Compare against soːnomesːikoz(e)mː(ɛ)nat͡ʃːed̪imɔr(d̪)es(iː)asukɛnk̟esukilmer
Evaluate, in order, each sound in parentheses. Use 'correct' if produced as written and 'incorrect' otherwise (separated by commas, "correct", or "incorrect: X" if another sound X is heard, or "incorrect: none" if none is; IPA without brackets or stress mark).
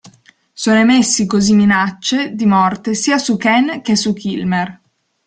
incorrect: i, incorrect: i, incorrect: t̪, correct